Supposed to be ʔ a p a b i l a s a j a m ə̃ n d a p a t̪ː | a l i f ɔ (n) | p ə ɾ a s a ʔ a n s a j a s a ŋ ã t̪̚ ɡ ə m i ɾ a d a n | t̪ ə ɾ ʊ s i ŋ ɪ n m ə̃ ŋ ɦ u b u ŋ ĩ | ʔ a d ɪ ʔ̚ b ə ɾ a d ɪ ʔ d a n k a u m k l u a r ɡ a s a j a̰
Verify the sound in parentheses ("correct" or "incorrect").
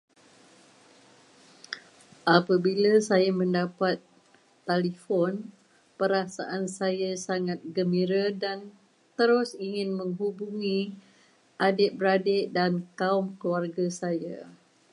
correct